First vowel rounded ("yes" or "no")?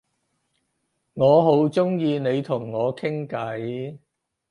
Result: yes